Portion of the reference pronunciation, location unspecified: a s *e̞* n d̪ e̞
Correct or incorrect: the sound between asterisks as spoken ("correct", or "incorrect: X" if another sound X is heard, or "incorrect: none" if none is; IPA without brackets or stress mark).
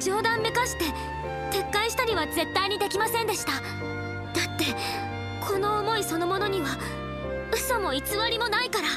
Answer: incorrect: ẽ̞